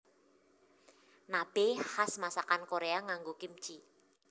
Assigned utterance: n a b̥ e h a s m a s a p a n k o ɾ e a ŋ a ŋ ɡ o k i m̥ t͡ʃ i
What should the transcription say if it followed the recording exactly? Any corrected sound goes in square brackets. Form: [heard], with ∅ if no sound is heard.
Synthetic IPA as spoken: n a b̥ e h a s m a s a [k] a n k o ɾ e a ŋ a ŋ ɡ o k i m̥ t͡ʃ i